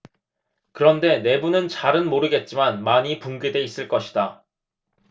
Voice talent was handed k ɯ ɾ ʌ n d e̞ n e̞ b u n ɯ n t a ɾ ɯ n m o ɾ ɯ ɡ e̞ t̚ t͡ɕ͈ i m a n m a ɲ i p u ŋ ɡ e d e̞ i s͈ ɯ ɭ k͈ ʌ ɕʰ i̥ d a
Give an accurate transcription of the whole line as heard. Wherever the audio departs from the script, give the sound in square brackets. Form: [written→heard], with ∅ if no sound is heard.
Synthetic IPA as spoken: k ɯ ɾ ʌ n d e̞ n e̞ b u n ɯ n [t→t͡ɕ] a ɾ ɯ n m o ɾ ɯ ɡ e̞ t̚ t͡ɕ͈ i m a n m a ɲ i p u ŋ ɡ e d e̞ i s͈ ɯ ɭ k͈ ʌ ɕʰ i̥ d a